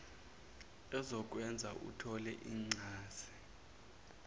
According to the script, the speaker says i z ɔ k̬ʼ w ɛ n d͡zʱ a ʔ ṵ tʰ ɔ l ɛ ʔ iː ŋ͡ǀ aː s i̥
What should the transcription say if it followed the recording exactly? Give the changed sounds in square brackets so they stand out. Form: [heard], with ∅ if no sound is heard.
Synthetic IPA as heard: [ɛ] z ɔ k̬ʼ w ɛ n d͡zʱ a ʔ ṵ tʰ ɔ l ɛ ʔ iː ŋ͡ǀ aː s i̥